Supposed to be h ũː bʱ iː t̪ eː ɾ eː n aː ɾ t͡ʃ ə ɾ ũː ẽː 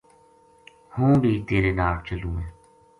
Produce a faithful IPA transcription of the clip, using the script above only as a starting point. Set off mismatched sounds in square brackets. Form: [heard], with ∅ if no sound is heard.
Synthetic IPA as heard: h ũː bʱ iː t̪ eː ɾ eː n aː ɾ t͡ʃ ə [l] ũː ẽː

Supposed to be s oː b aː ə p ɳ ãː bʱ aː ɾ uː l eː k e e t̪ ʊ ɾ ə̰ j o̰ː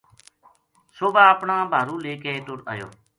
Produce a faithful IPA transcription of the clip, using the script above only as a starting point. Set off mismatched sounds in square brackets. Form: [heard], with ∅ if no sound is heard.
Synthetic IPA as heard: s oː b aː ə p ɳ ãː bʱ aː ɾ uː l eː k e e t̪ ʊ ɾ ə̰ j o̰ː

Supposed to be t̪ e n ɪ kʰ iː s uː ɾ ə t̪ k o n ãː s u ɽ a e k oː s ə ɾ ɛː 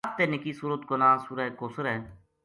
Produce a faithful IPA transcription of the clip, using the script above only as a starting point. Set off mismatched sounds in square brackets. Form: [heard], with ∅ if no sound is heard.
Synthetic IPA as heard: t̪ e n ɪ [k] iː s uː ɾ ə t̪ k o n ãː s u [ɾ] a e k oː s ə ɾ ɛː

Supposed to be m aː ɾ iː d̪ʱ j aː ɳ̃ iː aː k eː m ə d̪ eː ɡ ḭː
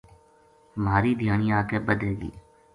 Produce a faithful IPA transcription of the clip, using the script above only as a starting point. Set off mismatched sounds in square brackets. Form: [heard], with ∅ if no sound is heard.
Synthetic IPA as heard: m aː ɾ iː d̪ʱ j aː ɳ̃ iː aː k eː [b] ə d̪ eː ɡ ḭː

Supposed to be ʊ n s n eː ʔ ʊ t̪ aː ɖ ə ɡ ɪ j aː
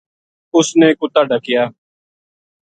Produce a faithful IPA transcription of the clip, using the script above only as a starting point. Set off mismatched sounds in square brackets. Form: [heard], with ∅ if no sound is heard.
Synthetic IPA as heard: ʊ [∅] s n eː [k] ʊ t̪ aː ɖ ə [k] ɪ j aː

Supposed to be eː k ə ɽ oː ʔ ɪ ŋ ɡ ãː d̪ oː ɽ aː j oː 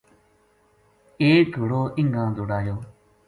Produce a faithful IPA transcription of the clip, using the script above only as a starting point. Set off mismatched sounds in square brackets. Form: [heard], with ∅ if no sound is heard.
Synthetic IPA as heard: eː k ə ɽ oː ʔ ɪ ŋ ɡ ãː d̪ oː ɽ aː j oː

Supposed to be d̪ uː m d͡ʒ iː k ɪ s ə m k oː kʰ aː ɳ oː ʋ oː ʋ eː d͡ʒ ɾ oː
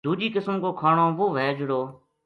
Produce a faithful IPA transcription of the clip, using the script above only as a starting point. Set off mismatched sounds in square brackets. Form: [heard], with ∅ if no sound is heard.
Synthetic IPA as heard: d̪ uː [∅] d͡ʒ iː k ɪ s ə m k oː kʰ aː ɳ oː ʋ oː ʋ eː d͡ʒ [ɽ] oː

